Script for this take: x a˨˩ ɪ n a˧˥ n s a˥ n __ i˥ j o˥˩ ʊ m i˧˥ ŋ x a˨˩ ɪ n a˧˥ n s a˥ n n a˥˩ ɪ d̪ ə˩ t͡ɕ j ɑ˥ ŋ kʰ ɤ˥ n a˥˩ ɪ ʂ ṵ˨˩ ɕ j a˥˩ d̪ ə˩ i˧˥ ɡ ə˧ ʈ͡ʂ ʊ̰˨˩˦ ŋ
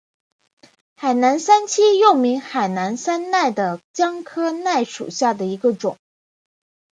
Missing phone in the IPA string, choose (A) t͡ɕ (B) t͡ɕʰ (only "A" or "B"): B